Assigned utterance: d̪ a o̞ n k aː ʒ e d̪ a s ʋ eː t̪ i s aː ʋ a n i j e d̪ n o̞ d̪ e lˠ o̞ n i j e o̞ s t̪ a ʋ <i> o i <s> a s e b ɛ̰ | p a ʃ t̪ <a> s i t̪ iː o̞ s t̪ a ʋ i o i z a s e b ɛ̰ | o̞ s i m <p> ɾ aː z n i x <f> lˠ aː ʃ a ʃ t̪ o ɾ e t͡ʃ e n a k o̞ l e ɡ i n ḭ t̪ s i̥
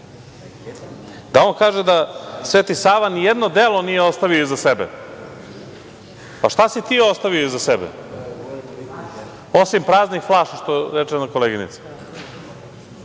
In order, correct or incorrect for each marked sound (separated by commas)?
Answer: correct, incorrect, correct, correct, correct